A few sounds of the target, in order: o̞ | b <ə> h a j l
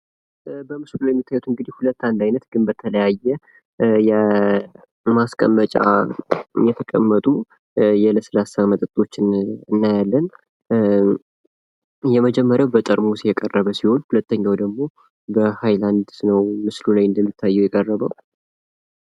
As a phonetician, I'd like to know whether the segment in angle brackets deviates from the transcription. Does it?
no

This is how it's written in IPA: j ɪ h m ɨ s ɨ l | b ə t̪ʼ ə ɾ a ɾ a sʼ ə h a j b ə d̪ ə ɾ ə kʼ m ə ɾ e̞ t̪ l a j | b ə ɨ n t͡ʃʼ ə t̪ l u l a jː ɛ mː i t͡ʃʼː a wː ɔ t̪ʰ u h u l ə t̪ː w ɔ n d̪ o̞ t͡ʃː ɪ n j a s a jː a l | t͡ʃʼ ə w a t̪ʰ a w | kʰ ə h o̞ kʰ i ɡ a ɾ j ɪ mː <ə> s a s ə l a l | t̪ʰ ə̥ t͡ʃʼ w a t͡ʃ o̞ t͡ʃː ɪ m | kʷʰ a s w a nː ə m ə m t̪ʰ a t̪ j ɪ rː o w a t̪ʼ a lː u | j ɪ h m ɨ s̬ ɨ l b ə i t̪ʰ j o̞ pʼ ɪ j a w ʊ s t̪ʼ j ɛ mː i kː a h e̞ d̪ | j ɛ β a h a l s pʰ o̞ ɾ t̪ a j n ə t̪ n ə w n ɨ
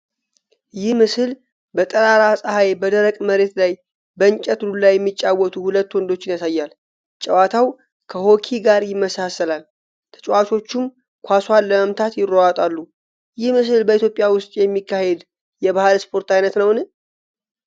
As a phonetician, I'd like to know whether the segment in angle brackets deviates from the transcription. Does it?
no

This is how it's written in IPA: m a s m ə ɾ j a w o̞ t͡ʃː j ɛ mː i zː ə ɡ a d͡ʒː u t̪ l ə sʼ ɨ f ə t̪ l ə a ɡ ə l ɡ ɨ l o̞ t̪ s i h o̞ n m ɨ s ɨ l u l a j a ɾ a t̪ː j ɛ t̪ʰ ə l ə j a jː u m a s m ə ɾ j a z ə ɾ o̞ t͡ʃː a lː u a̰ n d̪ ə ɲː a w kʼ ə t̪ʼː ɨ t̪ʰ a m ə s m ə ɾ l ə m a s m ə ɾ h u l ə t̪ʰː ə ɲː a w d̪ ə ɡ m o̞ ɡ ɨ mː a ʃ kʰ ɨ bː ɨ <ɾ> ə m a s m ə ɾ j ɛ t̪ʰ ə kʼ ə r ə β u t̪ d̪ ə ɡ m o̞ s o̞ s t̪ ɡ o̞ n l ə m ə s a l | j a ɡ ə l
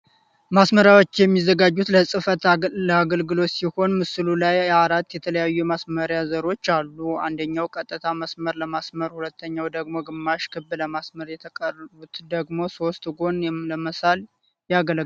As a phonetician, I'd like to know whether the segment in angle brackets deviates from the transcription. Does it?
yes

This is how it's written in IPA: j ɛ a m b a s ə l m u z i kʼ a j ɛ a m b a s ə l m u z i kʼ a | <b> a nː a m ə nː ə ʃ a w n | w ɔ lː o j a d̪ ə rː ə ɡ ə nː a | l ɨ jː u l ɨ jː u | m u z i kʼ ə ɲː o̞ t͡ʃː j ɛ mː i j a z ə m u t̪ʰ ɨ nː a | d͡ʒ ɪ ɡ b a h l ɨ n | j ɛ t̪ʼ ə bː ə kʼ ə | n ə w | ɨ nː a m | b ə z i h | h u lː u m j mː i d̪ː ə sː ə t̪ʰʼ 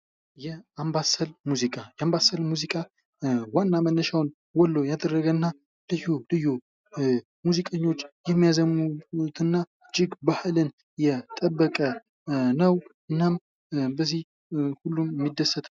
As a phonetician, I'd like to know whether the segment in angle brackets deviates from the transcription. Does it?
yes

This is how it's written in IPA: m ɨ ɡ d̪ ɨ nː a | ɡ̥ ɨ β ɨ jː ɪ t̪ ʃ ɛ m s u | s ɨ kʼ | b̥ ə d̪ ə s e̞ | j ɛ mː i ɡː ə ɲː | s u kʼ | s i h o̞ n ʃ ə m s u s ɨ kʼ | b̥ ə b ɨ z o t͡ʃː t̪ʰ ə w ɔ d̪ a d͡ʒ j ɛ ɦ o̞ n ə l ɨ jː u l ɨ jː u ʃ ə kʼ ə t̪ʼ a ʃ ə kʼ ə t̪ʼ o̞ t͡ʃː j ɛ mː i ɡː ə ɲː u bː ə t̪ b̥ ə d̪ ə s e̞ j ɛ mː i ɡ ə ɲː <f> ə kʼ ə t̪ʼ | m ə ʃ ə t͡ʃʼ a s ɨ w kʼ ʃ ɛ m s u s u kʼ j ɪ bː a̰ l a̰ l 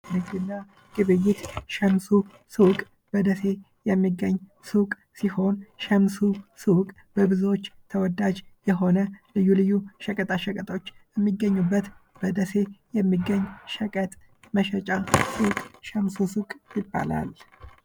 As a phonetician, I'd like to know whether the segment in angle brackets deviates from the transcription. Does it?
yes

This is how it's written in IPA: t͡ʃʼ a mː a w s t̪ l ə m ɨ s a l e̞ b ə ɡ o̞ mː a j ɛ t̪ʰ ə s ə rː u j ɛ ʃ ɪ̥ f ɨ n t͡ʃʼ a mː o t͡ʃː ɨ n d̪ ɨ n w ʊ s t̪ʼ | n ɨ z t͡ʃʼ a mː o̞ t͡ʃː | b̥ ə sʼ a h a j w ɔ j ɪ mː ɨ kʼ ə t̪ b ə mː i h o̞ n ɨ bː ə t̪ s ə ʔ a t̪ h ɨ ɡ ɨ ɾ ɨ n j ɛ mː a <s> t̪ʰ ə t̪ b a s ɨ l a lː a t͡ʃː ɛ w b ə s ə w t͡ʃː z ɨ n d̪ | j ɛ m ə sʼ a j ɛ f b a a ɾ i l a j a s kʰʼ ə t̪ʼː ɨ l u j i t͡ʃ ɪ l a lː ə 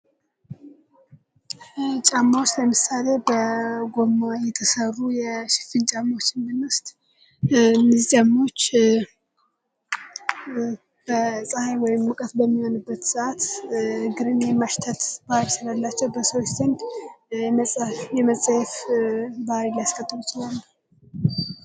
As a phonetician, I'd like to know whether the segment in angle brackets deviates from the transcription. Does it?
yes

